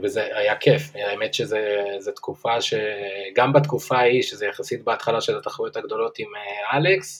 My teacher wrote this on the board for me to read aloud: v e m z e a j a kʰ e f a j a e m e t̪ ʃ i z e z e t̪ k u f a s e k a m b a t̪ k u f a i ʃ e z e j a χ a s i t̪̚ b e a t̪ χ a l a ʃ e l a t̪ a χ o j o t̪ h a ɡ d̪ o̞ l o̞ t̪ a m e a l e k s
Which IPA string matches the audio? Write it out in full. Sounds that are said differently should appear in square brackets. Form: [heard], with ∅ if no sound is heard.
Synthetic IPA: v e [∅] z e a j a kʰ e f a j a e m e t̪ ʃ [e] z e z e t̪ k u f a [ʃ] e [ɡ] a m b a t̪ k u f a i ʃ e z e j a χ a s i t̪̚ b e a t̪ χ a l a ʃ e l a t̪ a χ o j o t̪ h a ɡ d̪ o̞ l o̞ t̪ [i] m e a l e k s